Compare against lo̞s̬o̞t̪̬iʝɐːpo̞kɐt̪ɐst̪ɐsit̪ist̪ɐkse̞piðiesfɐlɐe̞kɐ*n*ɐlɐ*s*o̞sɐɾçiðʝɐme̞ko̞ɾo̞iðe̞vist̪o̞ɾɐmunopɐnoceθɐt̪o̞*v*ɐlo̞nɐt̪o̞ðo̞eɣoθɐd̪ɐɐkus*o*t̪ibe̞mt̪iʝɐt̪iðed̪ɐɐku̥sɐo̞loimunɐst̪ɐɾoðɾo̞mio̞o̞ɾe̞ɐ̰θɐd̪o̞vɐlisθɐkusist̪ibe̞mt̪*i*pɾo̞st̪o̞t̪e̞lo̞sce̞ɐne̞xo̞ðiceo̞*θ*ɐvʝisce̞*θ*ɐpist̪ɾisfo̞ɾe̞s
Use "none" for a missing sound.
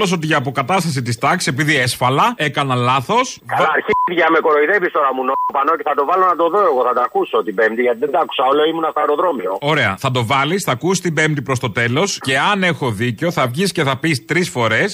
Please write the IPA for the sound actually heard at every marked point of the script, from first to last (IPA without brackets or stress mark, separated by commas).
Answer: n, θ, v, o, i, θ, θ